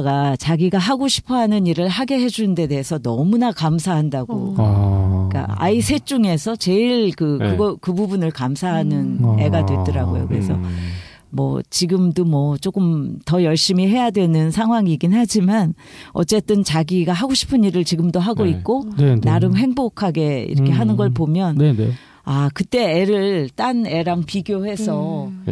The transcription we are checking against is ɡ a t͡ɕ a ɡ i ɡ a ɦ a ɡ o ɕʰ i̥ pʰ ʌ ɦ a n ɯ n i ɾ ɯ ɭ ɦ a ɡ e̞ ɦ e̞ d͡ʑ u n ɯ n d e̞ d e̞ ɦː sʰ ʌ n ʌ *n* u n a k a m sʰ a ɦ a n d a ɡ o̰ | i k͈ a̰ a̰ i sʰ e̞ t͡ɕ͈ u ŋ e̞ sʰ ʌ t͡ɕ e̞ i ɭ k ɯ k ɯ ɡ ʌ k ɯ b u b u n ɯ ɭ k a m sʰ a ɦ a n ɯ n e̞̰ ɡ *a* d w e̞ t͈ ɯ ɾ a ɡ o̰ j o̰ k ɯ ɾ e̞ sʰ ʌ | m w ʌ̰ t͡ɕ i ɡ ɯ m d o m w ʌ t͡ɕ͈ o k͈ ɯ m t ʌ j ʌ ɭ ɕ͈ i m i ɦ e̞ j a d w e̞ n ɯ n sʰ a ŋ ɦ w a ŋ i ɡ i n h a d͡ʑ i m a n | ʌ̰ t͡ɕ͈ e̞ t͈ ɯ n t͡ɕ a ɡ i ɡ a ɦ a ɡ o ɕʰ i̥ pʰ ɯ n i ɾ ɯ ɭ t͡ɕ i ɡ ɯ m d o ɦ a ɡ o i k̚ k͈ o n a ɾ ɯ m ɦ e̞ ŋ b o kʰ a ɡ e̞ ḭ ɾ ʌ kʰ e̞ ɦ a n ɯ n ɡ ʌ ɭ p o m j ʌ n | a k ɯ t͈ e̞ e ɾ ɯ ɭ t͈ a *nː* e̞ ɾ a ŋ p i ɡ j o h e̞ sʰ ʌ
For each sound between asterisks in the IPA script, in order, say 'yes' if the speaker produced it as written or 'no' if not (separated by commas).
no, yes, no